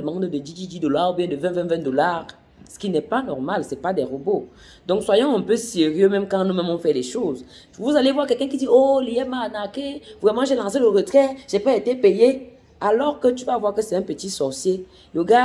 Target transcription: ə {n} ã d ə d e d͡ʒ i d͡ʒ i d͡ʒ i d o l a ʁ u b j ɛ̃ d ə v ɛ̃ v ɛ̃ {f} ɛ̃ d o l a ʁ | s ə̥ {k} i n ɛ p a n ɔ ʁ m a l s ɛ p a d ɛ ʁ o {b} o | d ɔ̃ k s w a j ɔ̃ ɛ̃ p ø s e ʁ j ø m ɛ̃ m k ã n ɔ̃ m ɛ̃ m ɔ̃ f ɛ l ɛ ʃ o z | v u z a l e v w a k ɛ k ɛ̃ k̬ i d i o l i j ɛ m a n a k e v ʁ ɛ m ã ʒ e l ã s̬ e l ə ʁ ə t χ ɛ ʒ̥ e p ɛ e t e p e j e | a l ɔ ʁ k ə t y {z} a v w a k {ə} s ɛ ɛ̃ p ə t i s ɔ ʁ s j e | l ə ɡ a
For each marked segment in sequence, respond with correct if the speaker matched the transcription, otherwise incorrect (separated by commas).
incorrect, incorrect, correct, correct, incorrect, correct